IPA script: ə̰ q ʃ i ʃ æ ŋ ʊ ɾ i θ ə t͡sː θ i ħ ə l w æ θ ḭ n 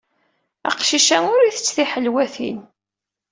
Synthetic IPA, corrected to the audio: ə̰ q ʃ i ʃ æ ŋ ʊ ɾ i θ ə t͡sː θ i ħ ə l w æ θ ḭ n